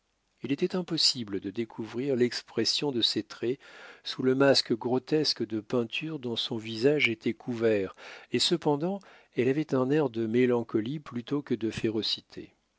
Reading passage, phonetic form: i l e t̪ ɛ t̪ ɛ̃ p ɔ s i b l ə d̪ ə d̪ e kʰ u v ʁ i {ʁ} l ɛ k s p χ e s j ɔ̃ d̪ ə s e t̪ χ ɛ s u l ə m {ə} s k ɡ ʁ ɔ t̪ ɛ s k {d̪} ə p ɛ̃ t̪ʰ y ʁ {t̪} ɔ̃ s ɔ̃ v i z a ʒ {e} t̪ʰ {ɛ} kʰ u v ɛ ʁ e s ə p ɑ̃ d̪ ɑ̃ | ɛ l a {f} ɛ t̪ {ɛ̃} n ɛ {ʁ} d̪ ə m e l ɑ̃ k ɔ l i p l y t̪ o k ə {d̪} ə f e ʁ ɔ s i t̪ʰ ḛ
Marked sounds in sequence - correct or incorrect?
correct, incorrect: a, correct, incorrect: d̪, correct, correct, incorrect: v, correct, correct, correct

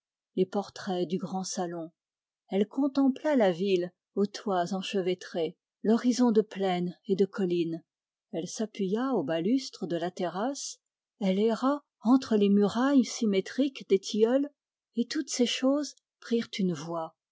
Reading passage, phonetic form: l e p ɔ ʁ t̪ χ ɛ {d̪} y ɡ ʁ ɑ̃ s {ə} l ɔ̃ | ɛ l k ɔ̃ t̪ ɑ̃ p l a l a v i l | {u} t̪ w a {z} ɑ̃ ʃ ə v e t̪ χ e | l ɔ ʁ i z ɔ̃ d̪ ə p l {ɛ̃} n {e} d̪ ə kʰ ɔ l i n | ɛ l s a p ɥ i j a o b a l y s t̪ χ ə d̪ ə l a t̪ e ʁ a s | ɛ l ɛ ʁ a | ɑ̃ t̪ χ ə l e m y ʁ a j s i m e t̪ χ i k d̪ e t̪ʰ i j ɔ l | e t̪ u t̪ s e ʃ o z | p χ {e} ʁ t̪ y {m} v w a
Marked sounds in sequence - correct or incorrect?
correct, incorrect: a, incorrect: o, correct, incorrect: ɛ, correct, incorrect: i, incorrect: n

